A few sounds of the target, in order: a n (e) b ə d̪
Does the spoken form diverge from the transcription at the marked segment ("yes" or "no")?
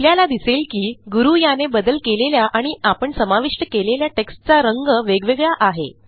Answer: no